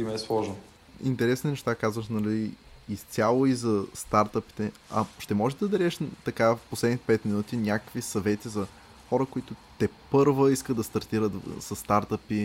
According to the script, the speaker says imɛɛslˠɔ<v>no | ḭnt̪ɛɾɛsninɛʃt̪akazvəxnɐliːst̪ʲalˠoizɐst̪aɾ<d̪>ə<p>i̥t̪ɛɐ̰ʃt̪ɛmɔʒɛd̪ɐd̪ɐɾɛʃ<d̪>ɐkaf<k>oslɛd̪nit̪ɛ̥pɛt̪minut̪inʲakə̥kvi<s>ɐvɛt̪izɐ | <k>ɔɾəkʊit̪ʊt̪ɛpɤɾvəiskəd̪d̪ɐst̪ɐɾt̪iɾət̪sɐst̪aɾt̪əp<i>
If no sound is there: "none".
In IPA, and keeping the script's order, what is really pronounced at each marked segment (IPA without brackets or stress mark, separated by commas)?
ʒ, t̪, p, t̪, p, s, x, i